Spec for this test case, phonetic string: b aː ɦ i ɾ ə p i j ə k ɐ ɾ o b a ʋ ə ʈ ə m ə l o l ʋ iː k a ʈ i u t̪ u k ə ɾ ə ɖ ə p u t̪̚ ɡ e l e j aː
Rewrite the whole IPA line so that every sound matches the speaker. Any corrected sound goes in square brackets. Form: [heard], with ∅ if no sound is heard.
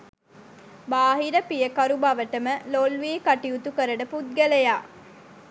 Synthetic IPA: b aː ɦ i ɾ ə p i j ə k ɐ ɾ [u] b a ʋ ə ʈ ə m ə l o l ʋ iː k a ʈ i u t̪ u k ə ɾ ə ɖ ə p u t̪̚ ɡ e l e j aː